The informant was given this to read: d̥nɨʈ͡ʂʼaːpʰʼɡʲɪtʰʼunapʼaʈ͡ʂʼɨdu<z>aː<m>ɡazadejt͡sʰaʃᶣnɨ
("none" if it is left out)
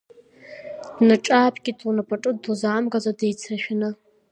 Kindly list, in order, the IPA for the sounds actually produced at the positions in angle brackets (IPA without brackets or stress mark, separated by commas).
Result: z, m